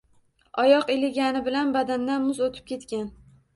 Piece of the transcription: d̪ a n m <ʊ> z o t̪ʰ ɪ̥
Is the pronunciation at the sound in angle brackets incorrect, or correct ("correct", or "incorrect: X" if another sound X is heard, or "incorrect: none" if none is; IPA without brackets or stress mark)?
correct